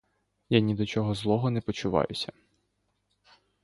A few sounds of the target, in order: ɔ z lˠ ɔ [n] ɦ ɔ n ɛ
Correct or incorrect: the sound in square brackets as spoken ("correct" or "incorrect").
incorrect